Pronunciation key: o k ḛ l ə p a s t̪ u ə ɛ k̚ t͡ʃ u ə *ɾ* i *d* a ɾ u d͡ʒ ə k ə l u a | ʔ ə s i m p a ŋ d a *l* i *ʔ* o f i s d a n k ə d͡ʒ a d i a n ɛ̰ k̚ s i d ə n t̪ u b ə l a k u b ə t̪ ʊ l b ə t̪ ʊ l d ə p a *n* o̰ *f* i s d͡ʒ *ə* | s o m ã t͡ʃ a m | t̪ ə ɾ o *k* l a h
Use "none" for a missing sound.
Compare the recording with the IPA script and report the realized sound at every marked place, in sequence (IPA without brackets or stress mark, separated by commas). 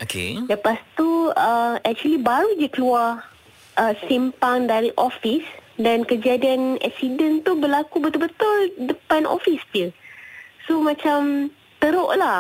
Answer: l, b, ɾ, ʔ, n, f, ə, ʔ